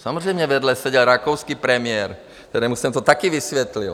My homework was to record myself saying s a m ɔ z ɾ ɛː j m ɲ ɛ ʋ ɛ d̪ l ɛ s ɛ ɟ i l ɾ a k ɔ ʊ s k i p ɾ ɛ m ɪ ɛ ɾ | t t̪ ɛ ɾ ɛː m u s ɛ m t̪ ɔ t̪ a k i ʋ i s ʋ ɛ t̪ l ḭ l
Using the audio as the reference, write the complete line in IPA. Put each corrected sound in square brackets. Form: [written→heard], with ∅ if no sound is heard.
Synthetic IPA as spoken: s a m ɔ z ɾ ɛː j m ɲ ɛ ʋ ɛ d̪ l ɛ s ɛ ɟ [i→ɛ] l ɾ a k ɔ ʊ s k i p ɾ ɛ m ɪ ɛ ɾ | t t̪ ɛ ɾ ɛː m u s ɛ m t̪ ɔ t̪ a k i ʋ i s ʋ ɛ t̪ l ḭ l